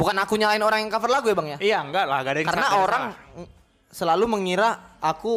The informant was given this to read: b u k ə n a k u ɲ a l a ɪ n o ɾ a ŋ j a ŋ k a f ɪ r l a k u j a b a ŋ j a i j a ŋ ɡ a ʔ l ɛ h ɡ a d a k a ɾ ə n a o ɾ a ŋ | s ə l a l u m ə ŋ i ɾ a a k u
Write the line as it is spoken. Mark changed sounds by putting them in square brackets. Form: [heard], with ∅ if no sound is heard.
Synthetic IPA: b u k [a] n a k u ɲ a l a ɪ n o ɾ a ŋ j a ŋ k a f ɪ r l a [ɡ] u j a b a ŋ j a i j a ŋ ɡ a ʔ l [a] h ɡ a d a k a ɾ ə n a o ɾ a ŋ | s ə l a l u m ə ŋ i ɾ a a k u